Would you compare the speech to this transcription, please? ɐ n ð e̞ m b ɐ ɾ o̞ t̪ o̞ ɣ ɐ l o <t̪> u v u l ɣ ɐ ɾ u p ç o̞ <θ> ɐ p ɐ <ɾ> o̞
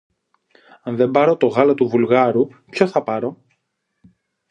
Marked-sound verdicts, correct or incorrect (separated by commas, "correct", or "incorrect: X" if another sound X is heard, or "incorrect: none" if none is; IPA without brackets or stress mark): correct, correct, correct